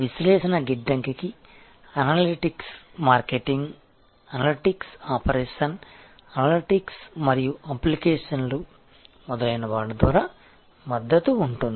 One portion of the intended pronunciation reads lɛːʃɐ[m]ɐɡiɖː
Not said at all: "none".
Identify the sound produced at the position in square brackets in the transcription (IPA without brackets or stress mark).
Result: n